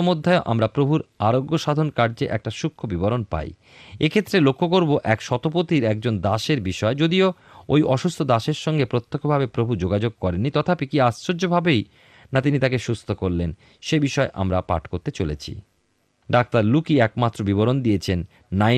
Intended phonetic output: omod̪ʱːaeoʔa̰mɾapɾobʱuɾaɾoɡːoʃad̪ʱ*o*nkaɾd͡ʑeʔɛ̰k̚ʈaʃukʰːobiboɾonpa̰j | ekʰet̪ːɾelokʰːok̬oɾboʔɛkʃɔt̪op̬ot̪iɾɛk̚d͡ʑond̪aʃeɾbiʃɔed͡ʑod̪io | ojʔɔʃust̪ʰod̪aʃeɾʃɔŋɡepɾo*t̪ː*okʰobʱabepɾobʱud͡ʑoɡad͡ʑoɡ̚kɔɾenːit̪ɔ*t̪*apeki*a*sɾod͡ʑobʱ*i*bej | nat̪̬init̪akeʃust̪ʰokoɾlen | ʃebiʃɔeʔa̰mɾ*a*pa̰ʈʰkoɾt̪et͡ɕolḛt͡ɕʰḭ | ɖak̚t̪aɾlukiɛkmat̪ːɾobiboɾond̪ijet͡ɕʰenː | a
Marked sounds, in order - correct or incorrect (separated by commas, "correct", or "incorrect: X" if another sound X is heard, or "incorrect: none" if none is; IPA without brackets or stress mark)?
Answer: correct, correct, incorrect: t̪ʰ, correct, incorrect: a, correct